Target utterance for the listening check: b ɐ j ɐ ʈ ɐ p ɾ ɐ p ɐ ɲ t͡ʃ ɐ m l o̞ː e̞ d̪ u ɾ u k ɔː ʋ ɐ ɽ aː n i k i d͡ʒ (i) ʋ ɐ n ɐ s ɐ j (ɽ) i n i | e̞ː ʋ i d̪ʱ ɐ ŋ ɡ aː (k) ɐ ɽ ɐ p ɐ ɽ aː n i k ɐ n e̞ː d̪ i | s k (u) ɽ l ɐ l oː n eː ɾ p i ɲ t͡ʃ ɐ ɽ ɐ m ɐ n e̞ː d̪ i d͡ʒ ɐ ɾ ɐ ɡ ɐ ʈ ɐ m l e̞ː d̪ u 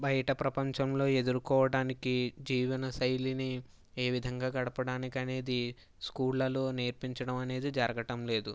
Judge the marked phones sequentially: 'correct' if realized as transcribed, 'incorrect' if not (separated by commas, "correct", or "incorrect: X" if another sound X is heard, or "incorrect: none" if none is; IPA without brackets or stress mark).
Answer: incorrect: iː, incorrect: l, incorrect: ɡ, incorrect: uː